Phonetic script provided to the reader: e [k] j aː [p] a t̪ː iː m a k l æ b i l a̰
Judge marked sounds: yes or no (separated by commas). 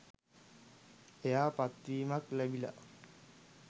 no, yes